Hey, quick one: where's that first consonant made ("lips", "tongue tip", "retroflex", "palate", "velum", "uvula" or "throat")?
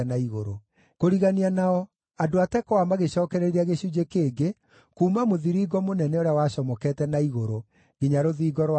tongue tip